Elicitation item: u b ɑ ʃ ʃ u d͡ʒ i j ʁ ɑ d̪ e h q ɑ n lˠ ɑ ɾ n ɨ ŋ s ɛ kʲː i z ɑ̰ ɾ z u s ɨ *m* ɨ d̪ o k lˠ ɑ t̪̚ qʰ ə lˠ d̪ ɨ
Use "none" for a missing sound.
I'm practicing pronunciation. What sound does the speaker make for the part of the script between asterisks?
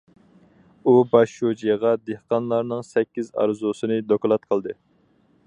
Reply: n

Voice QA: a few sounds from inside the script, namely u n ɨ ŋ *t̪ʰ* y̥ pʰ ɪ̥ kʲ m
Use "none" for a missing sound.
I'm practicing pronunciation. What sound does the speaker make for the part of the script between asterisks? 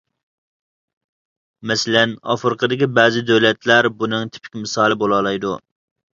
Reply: t̪ʰ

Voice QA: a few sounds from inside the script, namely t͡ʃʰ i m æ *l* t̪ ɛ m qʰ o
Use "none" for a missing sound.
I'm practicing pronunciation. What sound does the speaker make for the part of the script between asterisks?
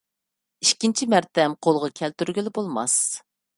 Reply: ɾ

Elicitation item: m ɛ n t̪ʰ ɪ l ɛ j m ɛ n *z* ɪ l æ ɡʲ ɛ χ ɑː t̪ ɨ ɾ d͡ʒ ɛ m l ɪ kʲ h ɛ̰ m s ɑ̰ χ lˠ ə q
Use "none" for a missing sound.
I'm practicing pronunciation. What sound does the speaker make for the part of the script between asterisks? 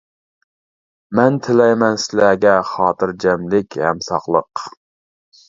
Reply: s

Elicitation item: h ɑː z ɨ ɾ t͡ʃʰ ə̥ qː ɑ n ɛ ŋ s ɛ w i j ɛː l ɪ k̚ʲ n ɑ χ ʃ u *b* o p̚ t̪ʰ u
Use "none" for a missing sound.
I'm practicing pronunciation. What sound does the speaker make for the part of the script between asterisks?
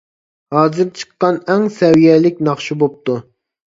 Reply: b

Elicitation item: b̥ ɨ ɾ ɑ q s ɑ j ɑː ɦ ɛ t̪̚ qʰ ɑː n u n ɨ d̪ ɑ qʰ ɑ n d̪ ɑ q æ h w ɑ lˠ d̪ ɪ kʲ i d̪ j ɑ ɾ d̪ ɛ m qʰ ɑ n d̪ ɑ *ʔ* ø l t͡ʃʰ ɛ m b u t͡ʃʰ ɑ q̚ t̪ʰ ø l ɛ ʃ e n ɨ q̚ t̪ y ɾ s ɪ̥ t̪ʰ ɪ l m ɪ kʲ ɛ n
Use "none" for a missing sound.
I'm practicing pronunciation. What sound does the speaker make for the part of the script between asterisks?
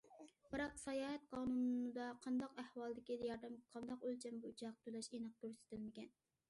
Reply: q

